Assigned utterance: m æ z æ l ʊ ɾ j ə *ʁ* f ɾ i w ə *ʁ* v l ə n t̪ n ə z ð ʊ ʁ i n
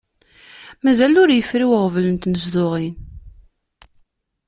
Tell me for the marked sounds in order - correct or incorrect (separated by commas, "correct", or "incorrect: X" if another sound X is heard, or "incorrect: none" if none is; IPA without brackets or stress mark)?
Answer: incorrect: none, correct